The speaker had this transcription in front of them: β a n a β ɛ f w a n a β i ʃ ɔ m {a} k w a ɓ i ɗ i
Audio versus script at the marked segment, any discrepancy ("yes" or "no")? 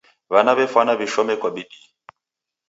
yes